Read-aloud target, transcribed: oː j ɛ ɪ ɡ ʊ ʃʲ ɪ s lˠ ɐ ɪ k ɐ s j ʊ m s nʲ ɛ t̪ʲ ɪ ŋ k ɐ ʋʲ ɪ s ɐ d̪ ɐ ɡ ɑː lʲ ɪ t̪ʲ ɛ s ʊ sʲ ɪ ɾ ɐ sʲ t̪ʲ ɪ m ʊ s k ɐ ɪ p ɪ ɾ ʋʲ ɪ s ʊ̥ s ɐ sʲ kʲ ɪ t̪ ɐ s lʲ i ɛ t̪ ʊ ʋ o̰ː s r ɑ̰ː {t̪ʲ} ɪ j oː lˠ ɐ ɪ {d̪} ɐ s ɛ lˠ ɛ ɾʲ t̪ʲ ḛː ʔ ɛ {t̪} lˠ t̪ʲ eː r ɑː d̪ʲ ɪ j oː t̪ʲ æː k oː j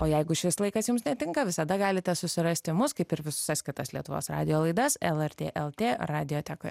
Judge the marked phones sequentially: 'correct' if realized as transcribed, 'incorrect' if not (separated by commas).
incorrect, correct, incorrect